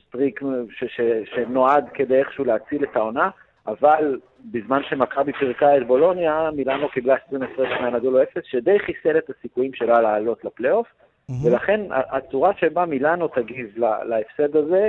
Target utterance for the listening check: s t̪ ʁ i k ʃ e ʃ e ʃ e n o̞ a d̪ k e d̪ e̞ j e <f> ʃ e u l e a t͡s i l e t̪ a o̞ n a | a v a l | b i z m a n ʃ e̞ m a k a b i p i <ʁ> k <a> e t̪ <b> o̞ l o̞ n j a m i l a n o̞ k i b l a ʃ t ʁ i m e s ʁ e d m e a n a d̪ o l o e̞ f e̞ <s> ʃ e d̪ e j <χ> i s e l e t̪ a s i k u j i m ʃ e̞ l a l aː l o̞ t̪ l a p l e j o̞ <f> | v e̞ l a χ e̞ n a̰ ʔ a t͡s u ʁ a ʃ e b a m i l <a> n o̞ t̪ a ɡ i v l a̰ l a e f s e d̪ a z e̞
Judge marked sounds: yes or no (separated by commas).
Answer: no, yes, yes, yes, yes, yes, yes, yes